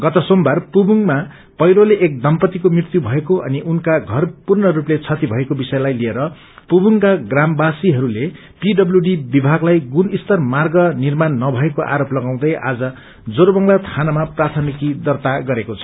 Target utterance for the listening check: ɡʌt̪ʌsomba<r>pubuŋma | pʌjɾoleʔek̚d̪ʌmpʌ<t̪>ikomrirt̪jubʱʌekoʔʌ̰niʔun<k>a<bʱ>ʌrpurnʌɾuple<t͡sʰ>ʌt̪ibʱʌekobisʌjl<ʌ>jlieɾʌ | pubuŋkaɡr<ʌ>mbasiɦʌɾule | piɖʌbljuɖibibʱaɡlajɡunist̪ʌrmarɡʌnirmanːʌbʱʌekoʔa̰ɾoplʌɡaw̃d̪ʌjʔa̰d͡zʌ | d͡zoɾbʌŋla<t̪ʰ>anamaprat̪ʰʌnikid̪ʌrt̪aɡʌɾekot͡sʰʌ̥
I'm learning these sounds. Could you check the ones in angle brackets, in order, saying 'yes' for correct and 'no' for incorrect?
yes, yes, yes, no, yes, no, no, yes

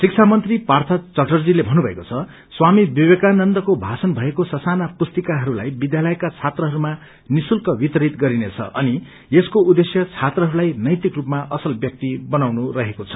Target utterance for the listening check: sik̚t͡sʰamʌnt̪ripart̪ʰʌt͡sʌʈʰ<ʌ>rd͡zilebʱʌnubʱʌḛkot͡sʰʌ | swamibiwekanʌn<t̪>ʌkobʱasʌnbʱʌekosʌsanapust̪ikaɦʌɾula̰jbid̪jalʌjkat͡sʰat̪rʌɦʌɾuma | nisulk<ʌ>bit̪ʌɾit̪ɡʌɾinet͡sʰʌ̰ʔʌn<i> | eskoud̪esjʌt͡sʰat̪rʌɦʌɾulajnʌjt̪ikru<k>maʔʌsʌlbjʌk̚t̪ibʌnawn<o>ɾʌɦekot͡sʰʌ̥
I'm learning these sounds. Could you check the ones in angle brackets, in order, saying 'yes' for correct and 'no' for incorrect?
yes, no, yes, yes, no, no

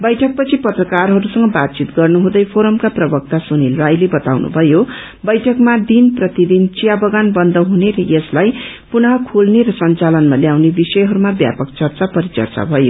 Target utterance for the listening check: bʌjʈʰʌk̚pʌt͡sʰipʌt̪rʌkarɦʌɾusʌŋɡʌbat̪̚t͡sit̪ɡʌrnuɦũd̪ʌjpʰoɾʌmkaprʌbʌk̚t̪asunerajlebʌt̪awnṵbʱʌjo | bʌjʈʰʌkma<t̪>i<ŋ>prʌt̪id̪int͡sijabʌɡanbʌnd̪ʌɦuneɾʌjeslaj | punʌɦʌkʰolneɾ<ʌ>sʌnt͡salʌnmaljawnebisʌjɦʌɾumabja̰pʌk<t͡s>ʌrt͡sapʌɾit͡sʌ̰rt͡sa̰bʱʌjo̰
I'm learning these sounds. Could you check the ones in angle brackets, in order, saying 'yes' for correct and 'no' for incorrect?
no, no, yes, yes

